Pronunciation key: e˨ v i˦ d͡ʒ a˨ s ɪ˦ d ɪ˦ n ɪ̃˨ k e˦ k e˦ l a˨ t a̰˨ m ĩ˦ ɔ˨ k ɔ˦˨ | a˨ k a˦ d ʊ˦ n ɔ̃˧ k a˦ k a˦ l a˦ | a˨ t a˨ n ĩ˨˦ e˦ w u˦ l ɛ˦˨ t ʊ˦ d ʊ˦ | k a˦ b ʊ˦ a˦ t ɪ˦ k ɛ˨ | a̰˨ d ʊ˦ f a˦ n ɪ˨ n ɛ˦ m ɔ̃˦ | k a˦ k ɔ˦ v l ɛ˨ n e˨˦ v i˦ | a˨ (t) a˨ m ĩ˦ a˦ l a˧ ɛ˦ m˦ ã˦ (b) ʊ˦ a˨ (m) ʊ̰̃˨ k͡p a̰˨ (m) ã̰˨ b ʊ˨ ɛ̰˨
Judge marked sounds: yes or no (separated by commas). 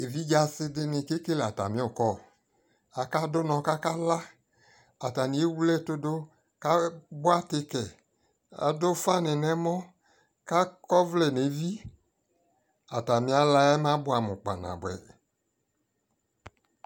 yes, yes, yes, no